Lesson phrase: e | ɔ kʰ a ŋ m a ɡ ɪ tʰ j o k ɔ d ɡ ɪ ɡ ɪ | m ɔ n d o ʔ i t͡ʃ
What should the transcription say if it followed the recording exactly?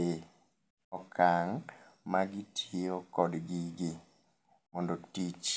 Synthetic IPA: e | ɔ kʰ a ŋ m a ɡ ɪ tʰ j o k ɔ d ɡ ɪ ɡ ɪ | m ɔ n d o t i t͡ʃ